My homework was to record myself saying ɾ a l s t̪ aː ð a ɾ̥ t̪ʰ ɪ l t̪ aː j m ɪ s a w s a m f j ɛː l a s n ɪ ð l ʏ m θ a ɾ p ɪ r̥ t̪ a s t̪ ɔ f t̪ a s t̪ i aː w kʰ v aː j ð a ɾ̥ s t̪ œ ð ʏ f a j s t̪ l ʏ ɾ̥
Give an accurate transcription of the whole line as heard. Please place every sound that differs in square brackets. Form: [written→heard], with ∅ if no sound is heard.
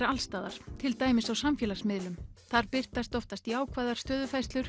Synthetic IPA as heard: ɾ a l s t̪ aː ð a ɾ̥ t̪ʰ ɪ l t̪ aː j m ɪ s a w s a m f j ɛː l a s [n→m] ɪ ð l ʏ m θ a ɾ p ɪ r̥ t̪ a s t̪ ɔ f t̪ a s t̪ i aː w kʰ v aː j ð a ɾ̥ s t̪ [œ→œː] ð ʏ f a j s t̪ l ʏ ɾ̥